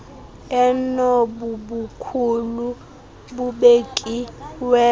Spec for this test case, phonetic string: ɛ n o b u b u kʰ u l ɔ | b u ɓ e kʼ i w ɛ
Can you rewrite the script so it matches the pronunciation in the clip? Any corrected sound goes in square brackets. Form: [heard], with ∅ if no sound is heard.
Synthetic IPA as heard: ɛ n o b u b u kʰ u l [u] | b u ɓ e kʼ i w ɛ